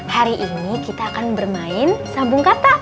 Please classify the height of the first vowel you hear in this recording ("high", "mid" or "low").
low